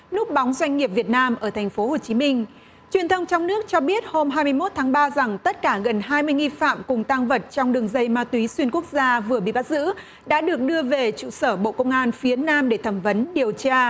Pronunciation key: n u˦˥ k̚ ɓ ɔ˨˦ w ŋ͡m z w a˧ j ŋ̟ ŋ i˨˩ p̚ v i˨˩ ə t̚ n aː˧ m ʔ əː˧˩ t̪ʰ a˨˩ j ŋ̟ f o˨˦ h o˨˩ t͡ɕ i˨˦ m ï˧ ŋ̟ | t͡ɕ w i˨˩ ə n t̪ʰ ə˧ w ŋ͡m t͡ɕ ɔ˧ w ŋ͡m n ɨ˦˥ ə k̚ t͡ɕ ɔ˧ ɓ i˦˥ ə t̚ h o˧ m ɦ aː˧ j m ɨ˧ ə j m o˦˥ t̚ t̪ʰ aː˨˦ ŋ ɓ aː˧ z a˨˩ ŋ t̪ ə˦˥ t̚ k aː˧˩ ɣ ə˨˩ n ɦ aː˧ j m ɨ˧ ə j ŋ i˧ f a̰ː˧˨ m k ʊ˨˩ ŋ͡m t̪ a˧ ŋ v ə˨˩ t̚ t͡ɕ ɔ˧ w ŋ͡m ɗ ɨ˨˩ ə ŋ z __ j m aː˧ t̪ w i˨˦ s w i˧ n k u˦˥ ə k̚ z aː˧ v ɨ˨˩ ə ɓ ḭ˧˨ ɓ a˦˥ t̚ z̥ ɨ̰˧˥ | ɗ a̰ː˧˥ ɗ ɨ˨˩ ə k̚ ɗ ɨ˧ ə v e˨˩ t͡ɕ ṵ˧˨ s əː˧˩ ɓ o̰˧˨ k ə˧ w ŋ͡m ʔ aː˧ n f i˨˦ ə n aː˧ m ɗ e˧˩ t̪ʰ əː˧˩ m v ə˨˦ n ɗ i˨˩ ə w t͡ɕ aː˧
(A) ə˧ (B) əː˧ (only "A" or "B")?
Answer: A